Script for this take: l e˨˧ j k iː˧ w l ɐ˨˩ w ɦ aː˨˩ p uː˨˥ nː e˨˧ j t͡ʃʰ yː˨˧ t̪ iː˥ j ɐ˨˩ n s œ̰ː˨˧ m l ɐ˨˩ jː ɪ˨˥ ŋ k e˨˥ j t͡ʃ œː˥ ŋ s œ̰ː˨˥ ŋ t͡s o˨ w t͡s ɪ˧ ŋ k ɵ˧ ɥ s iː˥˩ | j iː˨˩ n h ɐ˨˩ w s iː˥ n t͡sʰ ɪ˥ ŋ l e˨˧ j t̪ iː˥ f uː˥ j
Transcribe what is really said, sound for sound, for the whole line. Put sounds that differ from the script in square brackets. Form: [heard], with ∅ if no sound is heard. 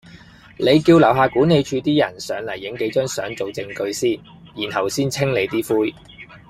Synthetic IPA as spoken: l e˨˧ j k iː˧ w l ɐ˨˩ w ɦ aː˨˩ [k] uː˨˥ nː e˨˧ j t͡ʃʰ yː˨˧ t̪ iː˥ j ɐ˨˩ n s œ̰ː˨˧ [ŋ] l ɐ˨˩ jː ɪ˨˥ ŋ k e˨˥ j t͡ʃ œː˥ ŋ s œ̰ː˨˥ ŋ t͡s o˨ w t͡s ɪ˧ ŋ k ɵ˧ ɥ s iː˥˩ | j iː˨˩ n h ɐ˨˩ w s iː˥ n t͡sʰ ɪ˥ ŋ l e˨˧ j t̪ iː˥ f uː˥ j